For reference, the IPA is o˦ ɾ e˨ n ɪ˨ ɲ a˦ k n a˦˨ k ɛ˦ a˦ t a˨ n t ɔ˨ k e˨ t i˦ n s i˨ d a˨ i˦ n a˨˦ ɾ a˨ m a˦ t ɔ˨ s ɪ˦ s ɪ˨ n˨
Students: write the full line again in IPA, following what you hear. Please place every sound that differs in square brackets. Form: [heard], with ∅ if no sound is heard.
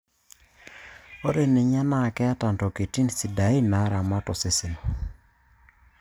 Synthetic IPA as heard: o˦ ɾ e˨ n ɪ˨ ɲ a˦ [∅] n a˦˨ k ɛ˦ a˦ t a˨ n t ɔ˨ k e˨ t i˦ n s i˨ d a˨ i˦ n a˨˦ ɾ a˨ m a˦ t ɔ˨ s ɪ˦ s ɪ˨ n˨